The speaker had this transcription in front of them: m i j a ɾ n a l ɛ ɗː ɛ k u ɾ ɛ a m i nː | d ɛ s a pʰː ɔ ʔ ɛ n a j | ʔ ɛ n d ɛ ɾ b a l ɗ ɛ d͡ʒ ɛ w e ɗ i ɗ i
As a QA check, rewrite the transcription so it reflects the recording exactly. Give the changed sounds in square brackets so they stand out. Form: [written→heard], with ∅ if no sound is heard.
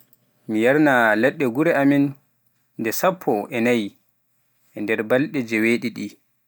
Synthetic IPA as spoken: m i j a ɾ n a l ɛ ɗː ɛ [k→ɡ] u ɾ ɛ a m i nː | d ɛ s a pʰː ɔ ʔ ɛ n a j | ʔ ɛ n d ɛ ɾ b a l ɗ ɛ d͡ʒ ɛ w e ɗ i ɗ i